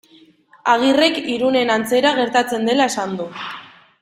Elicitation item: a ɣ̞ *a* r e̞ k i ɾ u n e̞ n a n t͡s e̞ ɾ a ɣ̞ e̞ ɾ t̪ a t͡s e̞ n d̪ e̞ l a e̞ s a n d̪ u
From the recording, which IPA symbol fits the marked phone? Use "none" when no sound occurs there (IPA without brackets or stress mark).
i